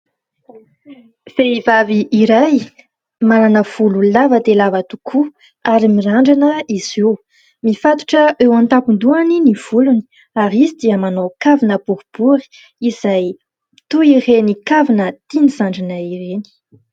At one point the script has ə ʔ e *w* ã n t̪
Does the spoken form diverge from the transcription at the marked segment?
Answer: no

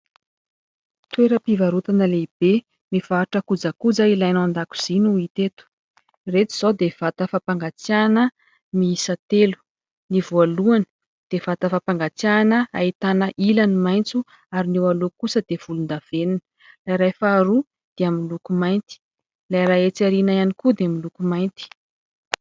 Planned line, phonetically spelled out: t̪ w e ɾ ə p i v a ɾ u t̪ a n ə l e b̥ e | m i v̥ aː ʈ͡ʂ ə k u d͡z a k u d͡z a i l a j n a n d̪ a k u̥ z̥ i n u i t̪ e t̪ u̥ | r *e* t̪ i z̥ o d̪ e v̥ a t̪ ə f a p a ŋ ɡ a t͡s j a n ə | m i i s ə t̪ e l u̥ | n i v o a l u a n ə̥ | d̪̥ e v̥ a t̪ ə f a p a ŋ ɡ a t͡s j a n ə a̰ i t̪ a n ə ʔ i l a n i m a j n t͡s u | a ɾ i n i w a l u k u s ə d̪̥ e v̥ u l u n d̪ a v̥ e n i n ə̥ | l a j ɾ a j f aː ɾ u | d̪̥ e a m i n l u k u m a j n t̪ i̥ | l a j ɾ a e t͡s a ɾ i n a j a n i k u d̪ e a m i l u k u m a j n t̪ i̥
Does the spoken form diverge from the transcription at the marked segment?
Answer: no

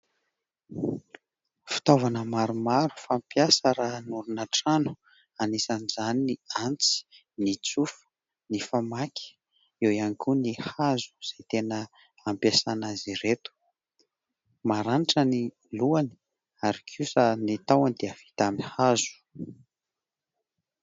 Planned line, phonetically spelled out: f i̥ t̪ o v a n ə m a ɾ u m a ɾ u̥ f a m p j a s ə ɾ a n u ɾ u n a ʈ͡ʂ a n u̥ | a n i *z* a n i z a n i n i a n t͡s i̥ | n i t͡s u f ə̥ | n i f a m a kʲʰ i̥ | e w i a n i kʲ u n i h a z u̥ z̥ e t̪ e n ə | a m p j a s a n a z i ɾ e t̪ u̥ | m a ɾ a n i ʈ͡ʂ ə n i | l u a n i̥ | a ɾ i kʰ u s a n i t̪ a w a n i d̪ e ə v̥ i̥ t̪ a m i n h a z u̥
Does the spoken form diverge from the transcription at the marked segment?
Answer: yes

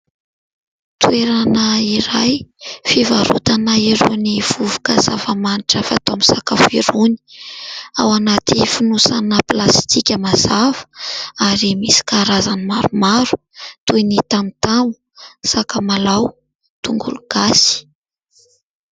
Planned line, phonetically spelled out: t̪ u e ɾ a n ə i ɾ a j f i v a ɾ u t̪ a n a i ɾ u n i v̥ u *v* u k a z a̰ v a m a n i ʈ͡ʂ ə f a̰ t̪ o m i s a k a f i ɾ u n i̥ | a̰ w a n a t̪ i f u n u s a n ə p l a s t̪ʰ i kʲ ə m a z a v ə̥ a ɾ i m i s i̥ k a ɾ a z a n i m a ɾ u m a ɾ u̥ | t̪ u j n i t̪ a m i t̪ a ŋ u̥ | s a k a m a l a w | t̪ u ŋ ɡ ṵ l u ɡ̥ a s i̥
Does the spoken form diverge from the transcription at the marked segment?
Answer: no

